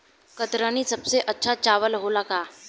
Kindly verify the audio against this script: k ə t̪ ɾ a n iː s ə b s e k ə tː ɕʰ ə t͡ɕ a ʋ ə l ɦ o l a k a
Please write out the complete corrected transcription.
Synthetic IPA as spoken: k ə t̪ ɾ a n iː s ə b s e ʔ ə tː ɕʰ a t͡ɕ a ʋ ə l ɦ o l a k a